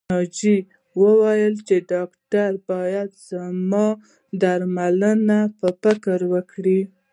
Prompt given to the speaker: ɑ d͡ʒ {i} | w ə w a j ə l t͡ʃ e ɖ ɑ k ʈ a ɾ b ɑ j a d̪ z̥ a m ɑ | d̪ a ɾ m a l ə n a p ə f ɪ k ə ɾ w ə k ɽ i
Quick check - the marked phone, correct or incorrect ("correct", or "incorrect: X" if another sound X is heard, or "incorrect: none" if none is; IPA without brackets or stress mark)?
correct